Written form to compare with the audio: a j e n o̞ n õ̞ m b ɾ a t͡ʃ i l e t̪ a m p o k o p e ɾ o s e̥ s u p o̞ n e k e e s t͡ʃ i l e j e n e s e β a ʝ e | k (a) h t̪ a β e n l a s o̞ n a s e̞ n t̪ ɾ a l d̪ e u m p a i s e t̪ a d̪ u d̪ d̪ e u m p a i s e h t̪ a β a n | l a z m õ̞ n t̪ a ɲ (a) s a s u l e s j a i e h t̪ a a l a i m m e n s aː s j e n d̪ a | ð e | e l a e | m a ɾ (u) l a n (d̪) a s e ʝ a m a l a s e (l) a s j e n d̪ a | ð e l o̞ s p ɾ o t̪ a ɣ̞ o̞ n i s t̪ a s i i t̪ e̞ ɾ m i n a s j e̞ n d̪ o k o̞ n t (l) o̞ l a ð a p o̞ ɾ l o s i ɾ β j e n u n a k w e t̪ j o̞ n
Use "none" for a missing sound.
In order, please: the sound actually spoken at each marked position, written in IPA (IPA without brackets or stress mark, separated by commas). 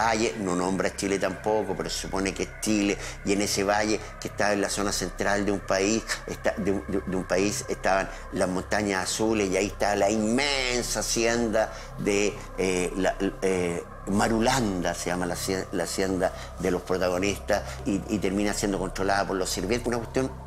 e, a, u, d̪, l, ɾ